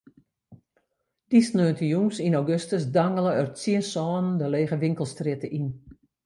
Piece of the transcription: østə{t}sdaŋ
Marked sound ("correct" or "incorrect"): incorrect